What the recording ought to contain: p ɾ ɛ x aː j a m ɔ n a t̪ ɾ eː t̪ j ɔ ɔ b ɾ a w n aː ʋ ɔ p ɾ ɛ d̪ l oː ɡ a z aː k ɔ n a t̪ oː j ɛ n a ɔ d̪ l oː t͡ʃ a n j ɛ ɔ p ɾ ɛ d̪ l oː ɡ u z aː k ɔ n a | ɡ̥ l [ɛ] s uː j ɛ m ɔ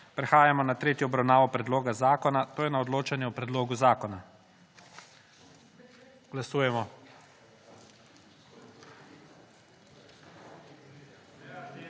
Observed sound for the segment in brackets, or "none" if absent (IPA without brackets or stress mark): a